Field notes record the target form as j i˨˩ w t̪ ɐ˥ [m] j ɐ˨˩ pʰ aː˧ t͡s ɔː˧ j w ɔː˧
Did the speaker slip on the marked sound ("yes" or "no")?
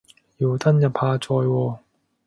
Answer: yes